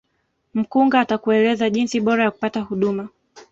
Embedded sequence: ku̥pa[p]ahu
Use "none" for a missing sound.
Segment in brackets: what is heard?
t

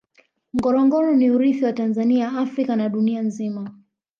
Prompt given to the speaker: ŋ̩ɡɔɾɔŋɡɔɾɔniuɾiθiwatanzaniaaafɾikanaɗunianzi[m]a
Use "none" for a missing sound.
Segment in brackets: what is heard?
m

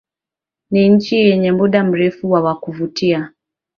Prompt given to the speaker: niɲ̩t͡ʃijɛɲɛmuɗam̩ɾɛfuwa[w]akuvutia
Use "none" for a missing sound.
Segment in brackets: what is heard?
w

